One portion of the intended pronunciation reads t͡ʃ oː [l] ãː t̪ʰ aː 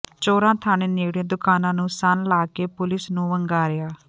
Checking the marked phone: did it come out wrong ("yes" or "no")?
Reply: yes